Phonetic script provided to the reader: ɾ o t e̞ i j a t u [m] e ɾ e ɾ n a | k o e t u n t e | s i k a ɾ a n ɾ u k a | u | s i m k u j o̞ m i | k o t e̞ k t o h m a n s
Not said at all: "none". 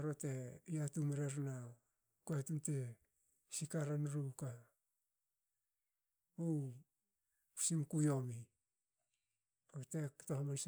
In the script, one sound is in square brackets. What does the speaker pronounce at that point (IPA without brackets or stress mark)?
m